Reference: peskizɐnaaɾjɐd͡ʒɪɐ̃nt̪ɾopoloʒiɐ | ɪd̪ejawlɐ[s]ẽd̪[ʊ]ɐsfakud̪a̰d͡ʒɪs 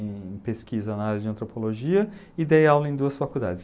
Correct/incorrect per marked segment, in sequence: incorrect: none, incorrect: u

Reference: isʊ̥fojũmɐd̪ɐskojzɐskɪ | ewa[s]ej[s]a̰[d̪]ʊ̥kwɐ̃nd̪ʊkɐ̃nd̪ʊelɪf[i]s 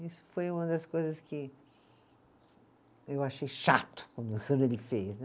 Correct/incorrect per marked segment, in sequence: incorrect: ʃ, incorrect: ʃ, incorrect: t̪, incorrect: e

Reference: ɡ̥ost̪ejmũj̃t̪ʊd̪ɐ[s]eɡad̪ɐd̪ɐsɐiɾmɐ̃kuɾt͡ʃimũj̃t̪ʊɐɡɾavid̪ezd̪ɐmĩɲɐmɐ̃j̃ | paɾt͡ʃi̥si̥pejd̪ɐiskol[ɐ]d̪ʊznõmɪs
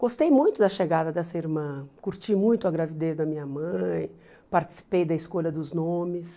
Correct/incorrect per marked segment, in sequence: incorrect: ʃ, correct

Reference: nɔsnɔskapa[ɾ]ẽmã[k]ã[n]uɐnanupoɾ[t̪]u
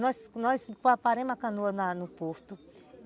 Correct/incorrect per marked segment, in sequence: correct, correct, correct, correct

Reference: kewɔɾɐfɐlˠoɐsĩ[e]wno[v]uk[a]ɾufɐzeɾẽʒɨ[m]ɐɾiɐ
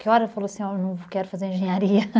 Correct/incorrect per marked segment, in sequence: incorrect: a, correct, incorrect: ɛ, incorrect: ɲ

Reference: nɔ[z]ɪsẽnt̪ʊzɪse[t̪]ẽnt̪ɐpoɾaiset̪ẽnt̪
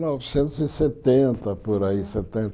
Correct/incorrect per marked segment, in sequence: incorrect: v, correct

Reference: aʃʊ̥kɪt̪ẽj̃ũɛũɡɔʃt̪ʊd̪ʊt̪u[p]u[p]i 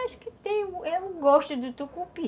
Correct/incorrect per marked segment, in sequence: incorrect: k, correct

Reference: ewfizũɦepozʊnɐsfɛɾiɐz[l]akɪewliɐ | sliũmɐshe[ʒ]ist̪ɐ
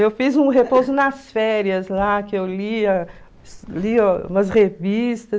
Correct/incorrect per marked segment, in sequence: correct, incorrect: v

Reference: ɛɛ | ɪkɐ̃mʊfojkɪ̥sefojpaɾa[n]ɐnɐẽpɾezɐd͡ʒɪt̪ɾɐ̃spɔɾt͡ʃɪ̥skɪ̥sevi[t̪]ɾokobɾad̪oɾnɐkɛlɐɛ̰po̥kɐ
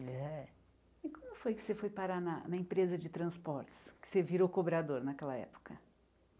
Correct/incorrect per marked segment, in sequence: correct, incorrect: none

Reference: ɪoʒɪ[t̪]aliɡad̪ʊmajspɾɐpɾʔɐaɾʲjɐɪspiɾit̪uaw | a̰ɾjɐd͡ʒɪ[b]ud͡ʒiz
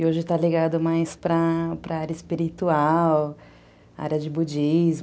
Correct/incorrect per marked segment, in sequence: correct, correct

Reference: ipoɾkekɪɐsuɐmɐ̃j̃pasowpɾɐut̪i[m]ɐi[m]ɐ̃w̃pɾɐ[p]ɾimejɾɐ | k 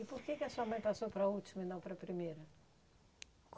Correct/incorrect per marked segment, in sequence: correct, incorrect: n, correct

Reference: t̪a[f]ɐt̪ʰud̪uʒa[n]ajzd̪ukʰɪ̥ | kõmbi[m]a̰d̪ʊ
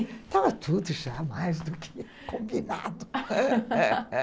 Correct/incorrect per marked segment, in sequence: incorrect: v, incorrect: m, incorrect: n

